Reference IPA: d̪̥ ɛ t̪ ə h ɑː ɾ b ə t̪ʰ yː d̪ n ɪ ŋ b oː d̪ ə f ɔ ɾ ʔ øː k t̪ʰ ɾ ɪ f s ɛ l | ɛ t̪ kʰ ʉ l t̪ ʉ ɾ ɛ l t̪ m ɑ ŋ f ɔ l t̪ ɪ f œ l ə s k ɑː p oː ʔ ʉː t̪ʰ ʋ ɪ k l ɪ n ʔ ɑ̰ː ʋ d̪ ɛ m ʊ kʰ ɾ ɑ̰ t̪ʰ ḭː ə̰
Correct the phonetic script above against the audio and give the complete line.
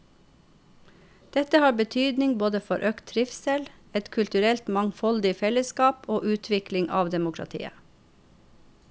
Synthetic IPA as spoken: d̪̥ ɛ t̪ ə h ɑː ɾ b ə t̪ʰ yː d̪ n ɪ ŋ b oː d̪ ə f ɔ ɾ ʔ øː k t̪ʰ ɾ ɪ f s ɛ l | ɛ t̪ kʰ ʉ l t̪ ʉ ɾ ɛ l t̪ m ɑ ŋ f ɔ l d̪ ɪ f ɛ l ə s k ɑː p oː ʔ ʉː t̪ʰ ʋ ɪ k l ɪ ŋ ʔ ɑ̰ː ʋ d̪ ɛ m ʊ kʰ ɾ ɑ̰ t̪ʰ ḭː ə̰